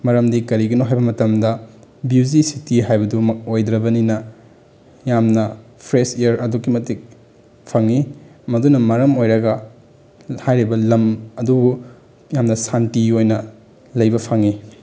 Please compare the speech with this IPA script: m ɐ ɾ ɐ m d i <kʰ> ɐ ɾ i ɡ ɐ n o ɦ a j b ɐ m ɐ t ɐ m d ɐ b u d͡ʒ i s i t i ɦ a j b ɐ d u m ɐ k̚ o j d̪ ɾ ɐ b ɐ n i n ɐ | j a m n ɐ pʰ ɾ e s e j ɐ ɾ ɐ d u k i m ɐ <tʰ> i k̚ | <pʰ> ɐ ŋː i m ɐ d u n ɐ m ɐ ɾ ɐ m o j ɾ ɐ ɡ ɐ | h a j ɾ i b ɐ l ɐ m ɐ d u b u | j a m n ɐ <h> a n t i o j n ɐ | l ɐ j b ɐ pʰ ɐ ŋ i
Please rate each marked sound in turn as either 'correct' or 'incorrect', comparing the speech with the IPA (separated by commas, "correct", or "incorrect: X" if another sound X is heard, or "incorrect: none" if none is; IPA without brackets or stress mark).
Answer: incorrect: k, incorrect: t, correct, incorrect: s